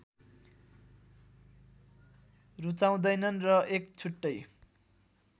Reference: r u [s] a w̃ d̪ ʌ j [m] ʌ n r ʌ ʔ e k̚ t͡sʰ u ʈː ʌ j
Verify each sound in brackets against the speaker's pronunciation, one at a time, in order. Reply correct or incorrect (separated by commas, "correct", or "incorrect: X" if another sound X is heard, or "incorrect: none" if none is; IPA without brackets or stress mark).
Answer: incorrect: t͡s, incorrect: n